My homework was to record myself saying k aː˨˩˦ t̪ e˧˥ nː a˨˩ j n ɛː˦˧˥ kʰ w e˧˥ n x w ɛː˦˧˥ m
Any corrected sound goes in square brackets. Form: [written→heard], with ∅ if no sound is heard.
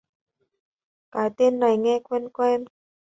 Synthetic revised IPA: k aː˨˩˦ t̪ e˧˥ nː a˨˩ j [n→ŋ] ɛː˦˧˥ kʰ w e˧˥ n [x→k] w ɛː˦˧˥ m